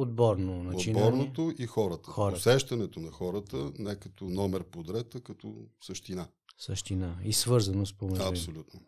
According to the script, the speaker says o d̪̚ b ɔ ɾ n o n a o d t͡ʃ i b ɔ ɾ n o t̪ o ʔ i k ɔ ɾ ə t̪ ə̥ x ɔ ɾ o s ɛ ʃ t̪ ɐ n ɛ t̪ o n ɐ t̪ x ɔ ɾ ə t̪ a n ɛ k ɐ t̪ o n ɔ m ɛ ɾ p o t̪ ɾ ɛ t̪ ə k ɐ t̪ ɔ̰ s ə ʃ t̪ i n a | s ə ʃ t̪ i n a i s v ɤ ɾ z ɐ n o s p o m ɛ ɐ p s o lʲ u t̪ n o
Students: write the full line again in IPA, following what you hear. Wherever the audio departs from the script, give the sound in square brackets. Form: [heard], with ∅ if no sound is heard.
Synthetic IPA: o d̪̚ b ɔ ɾ n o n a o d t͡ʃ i b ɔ ɾ n o t̪ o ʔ i [x] ɔ ɾ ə t̪ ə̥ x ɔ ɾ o s ɛ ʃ t̪ ɐ n ɛ t̪ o n ɐ [∅] x ɔ ɾ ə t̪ [ə] n ɛ k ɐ t̪ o n ɔ m ɛ ɾ p o [d̪] ɾ ɛ t̪ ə k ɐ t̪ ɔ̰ s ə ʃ t̪ i n a | s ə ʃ t̪ i n a i s v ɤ ɾ z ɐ n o s p o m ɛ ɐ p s o lʲ u t̪ n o